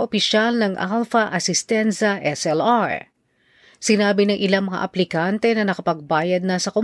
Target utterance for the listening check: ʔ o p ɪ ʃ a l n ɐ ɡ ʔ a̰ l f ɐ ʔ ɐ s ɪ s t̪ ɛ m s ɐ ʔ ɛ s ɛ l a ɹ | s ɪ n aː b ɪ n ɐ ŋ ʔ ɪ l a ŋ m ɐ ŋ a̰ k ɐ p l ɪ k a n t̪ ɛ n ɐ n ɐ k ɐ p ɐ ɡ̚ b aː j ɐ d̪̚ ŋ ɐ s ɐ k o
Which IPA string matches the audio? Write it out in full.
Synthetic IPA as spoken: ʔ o p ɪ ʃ a l n ɐ ŋ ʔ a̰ l f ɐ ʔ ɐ s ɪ s t̪ ɛ n s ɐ ʔ ɛ s ɛ l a ɹ | s ɪ n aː b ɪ n ɐ ŋ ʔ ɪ l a ŋ m ɐ ŋ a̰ ʔ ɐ p l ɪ k a n t̪ ɛ n ɐ n ɐ k ɐ p ɐ ɡ̚ b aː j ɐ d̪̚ n ɐ s ɐ k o